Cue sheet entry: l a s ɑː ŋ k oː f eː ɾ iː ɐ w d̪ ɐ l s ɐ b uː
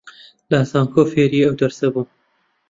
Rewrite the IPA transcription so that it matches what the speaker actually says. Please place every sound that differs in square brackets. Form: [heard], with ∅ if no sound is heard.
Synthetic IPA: l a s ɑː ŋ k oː f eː ɾ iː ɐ w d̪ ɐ [ɾ] s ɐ b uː